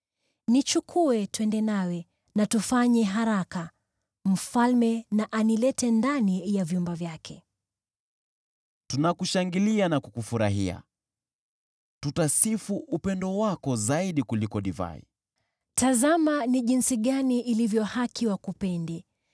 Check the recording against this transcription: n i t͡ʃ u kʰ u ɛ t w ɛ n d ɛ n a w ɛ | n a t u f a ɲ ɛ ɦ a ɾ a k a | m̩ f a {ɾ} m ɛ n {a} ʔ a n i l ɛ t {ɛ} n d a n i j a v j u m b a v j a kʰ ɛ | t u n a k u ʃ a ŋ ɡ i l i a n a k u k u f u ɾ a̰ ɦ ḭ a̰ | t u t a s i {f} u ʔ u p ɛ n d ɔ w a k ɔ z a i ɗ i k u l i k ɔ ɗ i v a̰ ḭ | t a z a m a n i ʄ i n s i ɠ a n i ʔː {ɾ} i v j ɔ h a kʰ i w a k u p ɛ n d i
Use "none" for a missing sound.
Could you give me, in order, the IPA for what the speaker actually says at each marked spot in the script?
l, a, ɛ, f, l

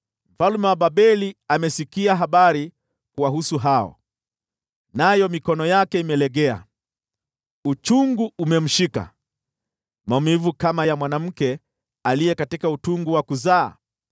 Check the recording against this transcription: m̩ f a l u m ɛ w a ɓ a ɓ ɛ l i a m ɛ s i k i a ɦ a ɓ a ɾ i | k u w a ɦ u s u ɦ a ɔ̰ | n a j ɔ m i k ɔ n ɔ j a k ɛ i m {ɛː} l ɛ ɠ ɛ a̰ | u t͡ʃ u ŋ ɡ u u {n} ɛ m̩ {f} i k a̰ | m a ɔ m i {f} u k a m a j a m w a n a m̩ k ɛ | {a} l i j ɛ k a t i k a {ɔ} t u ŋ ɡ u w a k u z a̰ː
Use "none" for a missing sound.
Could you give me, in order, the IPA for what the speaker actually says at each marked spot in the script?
ɛ, m, ʃ, v, a, u

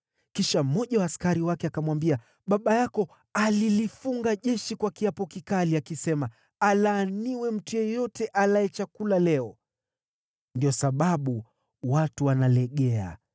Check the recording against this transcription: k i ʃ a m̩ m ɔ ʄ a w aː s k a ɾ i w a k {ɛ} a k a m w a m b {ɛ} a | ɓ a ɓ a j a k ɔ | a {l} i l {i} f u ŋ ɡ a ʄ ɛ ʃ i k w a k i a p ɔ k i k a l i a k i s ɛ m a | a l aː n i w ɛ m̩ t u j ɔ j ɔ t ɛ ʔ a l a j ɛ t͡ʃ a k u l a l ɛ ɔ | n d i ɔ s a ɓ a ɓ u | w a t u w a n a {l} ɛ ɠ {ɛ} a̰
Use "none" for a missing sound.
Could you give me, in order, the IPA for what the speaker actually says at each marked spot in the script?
ɛ, i, l, i, l, ɛ

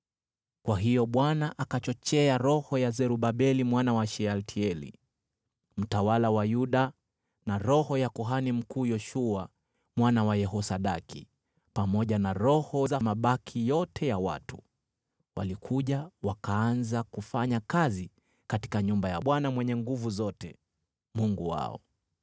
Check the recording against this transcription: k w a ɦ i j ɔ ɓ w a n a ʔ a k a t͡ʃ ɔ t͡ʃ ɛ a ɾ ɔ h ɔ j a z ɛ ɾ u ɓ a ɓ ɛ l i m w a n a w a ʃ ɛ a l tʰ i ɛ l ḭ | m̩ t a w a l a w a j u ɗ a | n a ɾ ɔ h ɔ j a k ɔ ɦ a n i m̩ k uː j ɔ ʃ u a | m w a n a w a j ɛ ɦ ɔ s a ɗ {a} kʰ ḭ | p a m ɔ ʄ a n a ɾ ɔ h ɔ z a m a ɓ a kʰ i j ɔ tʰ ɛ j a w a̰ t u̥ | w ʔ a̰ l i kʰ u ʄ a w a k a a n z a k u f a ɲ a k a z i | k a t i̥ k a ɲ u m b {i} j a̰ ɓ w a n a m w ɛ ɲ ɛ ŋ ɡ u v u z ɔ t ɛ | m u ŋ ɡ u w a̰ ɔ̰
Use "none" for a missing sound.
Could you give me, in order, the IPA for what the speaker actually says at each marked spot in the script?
a, a

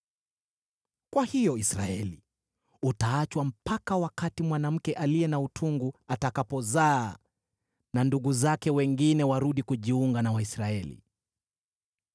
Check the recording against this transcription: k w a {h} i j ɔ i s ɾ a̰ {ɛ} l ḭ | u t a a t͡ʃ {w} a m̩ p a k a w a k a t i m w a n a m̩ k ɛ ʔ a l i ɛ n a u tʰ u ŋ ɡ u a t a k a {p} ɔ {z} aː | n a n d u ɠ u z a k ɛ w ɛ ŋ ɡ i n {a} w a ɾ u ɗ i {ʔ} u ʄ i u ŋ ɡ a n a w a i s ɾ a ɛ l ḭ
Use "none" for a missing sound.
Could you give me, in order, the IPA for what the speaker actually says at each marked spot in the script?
h, ɛ, w, p, z, ɛ, k

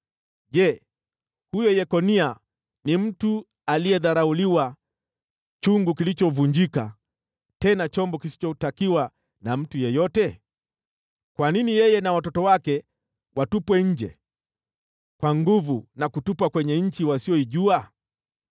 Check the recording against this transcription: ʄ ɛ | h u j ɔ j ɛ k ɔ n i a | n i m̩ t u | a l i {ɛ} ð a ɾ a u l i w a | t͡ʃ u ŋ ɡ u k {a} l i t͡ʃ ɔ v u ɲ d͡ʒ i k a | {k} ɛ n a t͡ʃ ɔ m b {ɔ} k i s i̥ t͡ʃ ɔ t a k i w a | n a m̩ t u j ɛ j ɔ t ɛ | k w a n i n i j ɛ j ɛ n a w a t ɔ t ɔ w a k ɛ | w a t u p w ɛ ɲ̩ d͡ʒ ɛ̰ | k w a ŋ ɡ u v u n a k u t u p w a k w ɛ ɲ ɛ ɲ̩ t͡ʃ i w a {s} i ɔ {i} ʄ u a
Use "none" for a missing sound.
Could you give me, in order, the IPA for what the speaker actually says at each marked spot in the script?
ɛ, i, t, ɔ, s, i

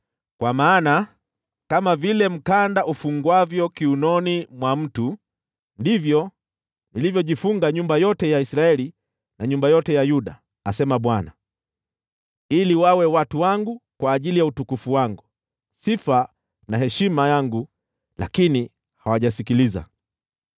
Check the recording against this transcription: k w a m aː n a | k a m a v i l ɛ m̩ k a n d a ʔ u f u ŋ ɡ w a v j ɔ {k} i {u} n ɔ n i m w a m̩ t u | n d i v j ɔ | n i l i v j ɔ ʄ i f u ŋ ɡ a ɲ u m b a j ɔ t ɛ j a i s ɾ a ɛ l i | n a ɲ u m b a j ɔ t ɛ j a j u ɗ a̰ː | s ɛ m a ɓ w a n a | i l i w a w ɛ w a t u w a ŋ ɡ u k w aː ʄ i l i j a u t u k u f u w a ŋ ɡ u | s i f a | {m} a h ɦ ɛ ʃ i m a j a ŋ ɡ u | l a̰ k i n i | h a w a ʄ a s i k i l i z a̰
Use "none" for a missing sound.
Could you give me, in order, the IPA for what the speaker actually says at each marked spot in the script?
k, u, n

